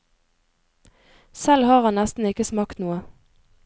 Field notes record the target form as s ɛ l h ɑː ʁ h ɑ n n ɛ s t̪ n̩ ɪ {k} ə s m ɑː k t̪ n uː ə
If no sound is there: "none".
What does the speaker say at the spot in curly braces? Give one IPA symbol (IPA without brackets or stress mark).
k